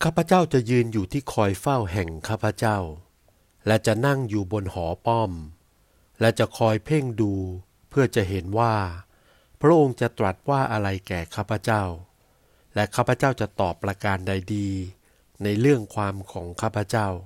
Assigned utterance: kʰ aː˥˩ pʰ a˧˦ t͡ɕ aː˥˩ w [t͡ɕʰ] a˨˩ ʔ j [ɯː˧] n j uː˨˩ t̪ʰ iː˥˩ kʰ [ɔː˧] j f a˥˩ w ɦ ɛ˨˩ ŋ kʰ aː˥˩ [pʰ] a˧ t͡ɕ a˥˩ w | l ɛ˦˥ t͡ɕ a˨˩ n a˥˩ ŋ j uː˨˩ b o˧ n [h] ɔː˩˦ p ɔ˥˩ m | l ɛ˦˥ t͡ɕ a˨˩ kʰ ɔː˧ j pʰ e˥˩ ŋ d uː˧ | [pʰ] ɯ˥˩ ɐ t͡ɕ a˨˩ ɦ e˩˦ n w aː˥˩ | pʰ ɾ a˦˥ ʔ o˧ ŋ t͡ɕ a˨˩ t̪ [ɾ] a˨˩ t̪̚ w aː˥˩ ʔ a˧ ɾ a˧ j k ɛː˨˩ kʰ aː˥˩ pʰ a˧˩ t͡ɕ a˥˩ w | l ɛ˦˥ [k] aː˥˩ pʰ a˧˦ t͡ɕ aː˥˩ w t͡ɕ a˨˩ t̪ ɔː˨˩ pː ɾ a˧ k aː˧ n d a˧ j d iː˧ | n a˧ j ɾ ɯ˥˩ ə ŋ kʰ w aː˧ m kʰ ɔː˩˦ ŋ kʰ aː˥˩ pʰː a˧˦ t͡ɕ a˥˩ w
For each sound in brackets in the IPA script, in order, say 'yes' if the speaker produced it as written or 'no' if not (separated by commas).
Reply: no, yes, yes, yes, yes, yes, yes, no